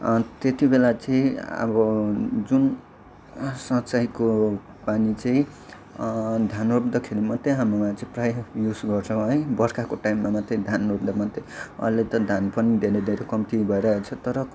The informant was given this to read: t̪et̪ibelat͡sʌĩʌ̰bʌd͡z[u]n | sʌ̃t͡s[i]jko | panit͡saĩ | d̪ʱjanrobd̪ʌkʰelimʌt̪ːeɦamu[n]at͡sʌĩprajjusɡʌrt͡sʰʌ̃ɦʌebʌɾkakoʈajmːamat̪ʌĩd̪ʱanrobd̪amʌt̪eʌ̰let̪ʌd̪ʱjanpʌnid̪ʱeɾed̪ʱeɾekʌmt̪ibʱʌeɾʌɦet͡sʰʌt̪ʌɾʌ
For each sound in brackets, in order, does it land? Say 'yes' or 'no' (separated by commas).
yes, no, no